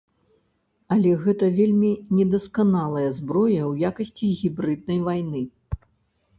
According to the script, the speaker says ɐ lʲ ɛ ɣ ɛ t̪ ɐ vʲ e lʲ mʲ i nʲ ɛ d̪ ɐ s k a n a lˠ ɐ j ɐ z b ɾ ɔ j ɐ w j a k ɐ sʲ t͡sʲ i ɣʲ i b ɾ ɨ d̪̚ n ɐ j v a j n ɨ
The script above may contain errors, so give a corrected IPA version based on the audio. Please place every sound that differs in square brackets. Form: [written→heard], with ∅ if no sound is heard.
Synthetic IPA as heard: ɐ lʲ ɛ ɣ ɛ t̪ ɐ vʲ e lʲ mʲ i nʲ ɛ d̪ ɐ s k a n a lˠ ɐ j ɐ z b ɾ ɔ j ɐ w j a k ɐ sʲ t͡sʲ i ɣʲ i b ɾ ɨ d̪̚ n ɐ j v a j n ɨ